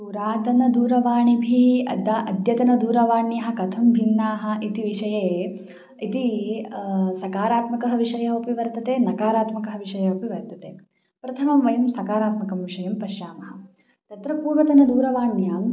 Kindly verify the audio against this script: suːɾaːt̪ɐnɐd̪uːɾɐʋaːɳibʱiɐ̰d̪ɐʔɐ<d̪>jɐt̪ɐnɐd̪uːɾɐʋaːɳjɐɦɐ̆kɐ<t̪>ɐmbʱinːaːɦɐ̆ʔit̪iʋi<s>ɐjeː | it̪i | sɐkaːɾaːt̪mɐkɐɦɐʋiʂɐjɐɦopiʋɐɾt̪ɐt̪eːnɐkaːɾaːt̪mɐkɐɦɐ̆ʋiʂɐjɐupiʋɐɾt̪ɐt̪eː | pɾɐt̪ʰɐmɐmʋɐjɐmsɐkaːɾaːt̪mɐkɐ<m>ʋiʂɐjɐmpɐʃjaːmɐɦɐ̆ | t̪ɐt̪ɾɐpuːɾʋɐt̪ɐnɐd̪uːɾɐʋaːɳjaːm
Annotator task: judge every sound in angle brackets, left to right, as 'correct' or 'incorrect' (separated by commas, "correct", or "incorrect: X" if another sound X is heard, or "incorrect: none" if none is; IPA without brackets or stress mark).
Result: correct, incorrect: t̪ʰ, incorrect: ʂ, correct